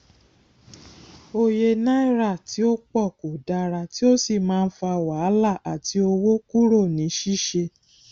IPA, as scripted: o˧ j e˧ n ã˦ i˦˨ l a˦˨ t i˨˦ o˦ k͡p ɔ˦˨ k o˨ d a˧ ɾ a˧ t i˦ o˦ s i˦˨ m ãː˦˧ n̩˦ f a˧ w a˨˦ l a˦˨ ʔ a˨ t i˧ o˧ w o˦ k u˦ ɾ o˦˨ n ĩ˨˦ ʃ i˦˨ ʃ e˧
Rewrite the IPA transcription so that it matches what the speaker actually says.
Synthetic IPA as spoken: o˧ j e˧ n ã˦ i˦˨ ɾ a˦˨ t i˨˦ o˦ k͡p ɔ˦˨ k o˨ d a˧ ɾ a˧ t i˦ o˦ s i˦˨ m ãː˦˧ n̩˦ f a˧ w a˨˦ l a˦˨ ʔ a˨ t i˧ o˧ w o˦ k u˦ ɾ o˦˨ n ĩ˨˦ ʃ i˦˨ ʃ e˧